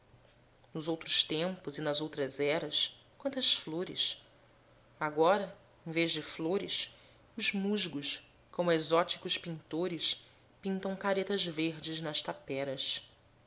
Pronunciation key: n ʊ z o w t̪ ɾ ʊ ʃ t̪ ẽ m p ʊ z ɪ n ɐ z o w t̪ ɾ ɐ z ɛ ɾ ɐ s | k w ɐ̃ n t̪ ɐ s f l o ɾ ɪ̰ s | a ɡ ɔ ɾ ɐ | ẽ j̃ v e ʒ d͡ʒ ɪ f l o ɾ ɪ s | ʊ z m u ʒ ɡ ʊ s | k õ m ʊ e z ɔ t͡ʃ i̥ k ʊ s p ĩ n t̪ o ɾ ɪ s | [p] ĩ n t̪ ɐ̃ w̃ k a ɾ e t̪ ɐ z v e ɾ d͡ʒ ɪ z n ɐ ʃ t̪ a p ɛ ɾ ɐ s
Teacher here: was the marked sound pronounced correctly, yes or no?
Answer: yes